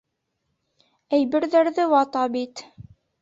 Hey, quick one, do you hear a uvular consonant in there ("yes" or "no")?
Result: no